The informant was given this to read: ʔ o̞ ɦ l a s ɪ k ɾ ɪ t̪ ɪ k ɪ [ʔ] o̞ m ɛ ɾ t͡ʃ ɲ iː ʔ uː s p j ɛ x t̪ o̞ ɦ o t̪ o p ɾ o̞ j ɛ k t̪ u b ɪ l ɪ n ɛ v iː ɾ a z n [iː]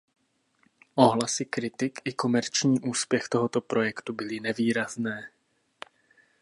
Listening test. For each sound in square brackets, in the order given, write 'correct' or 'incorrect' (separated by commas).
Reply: incorrect, incorrect